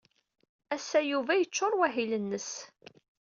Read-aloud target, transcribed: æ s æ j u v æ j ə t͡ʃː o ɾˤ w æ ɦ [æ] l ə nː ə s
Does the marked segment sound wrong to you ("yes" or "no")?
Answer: yes